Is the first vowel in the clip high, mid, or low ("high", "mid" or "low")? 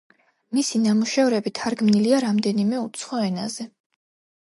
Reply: high